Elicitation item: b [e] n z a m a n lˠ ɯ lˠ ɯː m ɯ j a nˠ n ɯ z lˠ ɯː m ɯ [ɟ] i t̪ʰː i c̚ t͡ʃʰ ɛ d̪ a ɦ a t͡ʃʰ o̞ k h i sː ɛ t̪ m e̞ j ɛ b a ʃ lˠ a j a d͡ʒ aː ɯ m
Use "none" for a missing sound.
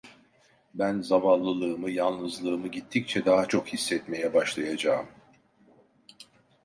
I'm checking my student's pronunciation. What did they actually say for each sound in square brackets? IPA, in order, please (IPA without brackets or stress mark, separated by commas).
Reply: æ, ɟ